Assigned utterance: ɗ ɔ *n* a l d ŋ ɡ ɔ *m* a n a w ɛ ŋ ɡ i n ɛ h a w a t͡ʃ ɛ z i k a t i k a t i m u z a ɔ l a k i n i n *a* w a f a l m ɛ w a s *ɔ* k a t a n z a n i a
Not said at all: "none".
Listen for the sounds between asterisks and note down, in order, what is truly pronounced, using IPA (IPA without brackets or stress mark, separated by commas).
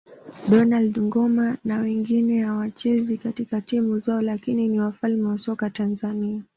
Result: n, m, i, ɔ